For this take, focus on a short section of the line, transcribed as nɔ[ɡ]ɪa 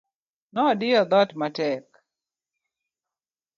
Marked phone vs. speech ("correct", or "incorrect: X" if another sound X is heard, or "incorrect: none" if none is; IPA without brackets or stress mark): incorrect: d